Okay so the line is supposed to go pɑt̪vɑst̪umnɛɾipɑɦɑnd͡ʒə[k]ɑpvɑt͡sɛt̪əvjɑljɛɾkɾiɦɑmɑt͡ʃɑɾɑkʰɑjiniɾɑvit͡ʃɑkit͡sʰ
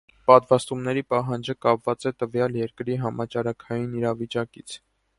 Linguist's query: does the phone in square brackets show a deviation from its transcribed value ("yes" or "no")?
no